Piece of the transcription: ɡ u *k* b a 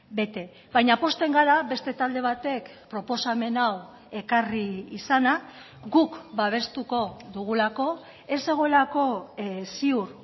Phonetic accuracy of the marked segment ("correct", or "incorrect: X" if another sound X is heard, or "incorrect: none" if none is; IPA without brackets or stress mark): correct